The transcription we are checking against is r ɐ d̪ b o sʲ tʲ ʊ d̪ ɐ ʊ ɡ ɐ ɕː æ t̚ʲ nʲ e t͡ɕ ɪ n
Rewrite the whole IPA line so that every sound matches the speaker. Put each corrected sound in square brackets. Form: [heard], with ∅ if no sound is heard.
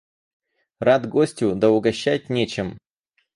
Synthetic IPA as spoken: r [a] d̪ [ɡ] o sʲ tʲ ʊ d̪ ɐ ʊ ɡ ɐ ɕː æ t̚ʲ nʲ e t͡ɕ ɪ [m]